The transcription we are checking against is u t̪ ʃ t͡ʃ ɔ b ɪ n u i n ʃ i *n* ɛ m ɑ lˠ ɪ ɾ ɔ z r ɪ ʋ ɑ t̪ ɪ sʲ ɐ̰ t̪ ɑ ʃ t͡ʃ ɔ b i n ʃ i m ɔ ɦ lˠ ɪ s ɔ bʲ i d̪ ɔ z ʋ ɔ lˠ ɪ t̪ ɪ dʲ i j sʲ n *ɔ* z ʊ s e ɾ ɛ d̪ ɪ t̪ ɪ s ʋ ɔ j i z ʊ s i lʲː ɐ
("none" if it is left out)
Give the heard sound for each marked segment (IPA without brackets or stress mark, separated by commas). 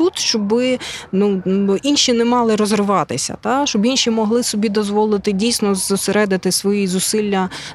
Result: n, ɔ